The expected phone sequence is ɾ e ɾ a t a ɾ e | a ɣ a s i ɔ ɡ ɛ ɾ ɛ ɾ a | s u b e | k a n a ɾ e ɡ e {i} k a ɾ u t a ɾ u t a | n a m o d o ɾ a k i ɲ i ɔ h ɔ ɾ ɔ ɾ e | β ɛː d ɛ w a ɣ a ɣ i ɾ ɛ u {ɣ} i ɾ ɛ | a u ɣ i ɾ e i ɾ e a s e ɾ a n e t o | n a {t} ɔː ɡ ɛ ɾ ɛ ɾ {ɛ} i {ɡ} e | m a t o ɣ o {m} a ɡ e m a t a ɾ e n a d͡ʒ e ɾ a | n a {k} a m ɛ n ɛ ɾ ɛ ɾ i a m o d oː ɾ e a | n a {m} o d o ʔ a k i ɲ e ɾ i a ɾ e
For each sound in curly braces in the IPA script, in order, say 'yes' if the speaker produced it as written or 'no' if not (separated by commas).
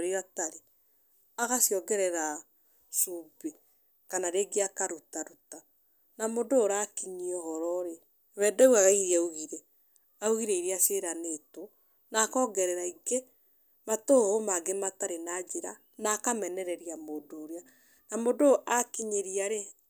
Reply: no, yes, no, no, yes, yes, yes, yes